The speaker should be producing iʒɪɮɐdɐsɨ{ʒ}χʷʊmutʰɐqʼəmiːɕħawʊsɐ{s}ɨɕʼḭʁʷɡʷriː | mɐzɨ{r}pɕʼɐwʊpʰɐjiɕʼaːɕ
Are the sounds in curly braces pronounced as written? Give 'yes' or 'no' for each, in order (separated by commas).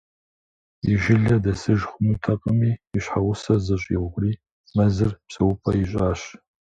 yes, no, yes